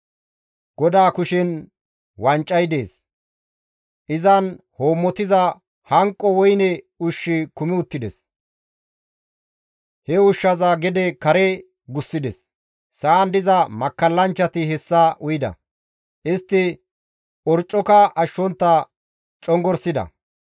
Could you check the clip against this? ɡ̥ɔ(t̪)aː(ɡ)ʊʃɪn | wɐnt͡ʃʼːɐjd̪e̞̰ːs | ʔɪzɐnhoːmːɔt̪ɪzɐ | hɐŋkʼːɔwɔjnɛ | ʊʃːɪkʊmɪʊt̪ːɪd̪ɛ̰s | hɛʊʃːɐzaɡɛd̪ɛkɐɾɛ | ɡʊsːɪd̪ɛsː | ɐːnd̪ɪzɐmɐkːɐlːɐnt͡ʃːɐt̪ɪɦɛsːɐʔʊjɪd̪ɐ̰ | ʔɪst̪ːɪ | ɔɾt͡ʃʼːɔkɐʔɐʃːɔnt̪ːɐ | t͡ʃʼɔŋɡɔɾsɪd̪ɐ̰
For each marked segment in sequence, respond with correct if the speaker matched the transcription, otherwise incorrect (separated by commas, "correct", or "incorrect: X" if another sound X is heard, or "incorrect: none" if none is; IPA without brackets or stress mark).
incorrect: d̪, incorrect: k